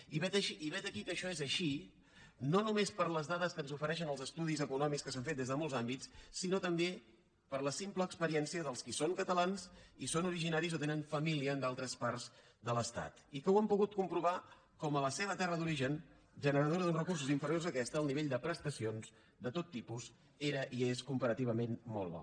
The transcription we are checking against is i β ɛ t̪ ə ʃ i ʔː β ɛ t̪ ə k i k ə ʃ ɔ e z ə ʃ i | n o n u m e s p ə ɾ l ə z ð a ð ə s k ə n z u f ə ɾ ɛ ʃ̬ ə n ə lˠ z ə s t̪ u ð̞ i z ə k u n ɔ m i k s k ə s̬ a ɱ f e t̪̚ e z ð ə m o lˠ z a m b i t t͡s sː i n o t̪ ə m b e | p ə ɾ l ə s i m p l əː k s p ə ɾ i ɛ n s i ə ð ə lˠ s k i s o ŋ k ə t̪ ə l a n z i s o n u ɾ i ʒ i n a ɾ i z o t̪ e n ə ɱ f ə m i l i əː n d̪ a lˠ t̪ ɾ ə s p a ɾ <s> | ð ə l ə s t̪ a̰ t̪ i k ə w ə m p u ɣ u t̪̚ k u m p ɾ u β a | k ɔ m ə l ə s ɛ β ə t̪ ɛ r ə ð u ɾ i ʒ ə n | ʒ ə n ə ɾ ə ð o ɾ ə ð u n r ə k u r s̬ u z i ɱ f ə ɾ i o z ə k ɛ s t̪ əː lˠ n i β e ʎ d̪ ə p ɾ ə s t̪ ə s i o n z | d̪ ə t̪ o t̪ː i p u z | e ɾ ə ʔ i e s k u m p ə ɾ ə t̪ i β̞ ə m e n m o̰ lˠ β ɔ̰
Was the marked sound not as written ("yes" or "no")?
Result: yes